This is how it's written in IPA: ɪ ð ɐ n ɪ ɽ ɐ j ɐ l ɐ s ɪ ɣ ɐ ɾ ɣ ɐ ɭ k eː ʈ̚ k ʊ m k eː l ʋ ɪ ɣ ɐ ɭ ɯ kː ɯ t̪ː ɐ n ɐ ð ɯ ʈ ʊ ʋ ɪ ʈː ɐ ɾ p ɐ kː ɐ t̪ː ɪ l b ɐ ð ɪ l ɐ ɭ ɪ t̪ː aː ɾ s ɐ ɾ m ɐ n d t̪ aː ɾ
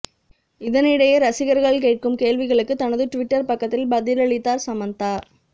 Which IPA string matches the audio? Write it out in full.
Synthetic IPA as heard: ɪ ð ɐ n ɪ ɽ ɐ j ɐ ɾ ɐ s ɪ ɣ ɐ ɾ ɣ ɐ ɭ k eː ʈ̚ k ɯ m k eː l ʋ ɪ ɣ ɐ ɭ ɯ kː ɯ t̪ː ɐ n ɐ ð ɯ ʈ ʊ ʋ ɪ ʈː ɐ ɾ p ɐ kː ɐ t̪ː ɪ l b ɐ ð ɪ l ɐ ɭ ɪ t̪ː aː ɾ s ɐ m ɐ n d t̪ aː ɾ